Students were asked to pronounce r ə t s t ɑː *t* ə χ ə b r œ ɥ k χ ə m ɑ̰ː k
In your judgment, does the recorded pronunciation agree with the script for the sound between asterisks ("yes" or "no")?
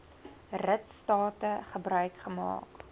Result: yes